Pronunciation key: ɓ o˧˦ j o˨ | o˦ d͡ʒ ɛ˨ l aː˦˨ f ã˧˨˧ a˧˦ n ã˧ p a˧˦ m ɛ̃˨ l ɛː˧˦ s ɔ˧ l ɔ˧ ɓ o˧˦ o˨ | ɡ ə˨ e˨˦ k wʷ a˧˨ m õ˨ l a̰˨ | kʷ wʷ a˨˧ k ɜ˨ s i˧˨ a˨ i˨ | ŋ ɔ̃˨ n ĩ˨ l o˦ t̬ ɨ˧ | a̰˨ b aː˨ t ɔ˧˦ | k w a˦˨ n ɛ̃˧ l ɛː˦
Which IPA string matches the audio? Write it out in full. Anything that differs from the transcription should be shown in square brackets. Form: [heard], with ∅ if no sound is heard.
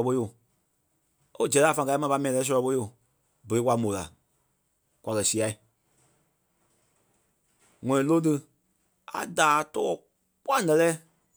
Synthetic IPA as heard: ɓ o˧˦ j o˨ | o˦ d͡ʒ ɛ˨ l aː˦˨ f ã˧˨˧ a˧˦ [m] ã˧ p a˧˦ m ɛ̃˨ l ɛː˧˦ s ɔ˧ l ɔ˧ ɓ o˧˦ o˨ | [b] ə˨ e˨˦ k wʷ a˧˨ m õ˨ l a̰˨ | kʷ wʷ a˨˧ k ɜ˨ s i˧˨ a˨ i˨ | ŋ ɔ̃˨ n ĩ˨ l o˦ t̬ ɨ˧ | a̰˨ [d] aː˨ t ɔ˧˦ | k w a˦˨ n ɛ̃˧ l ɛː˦